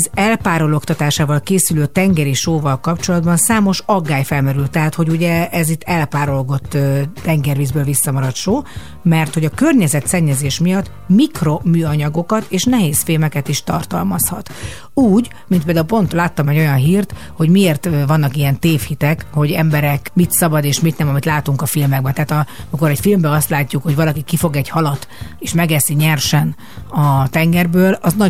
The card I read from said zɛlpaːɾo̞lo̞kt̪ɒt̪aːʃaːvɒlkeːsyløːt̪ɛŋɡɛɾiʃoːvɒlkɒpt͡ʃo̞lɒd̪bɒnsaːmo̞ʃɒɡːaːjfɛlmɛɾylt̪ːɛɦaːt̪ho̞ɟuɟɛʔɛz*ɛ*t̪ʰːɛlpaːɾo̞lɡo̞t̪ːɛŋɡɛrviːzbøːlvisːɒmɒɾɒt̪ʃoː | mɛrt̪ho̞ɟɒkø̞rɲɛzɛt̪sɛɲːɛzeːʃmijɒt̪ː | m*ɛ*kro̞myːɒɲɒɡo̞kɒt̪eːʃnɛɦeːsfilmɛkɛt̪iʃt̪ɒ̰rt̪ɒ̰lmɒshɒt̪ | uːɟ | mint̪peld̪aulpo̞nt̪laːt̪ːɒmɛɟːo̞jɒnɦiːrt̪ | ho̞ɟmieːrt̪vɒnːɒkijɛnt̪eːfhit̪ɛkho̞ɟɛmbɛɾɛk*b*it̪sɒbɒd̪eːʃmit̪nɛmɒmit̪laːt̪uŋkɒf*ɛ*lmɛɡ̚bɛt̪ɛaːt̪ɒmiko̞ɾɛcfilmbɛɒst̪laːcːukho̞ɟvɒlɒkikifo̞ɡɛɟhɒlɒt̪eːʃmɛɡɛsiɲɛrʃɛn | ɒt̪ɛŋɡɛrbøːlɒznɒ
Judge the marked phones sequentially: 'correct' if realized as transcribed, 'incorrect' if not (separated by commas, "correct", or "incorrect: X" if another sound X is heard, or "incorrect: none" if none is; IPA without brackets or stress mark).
incorrect: i, incorrect: i, incorrect: m, incorrect: i